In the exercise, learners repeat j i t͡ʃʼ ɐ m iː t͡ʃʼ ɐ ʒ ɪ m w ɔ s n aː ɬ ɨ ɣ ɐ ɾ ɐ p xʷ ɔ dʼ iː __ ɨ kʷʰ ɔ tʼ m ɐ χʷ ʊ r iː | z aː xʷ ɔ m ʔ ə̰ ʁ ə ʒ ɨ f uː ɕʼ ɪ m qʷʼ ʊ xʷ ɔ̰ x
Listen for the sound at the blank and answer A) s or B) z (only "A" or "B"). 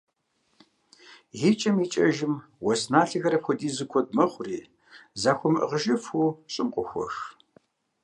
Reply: B